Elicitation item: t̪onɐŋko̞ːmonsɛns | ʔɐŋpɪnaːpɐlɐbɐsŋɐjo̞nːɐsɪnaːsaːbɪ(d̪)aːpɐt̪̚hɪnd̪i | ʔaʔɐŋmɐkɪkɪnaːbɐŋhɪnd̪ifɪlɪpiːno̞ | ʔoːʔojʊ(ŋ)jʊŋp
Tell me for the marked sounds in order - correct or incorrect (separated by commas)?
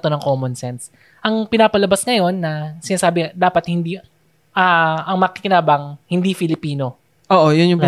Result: correct, incorrect